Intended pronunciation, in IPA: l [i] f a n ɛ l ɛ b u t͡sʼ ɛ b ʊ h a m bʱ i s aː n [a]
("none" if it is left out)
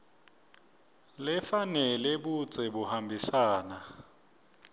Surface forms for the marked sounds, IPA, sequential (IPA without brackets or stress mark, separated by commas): ɪ, a